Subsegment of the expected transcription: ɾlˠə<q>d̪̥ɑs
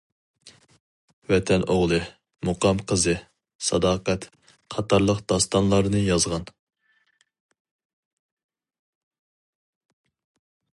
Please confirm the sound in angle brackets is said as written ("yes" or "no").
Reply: yes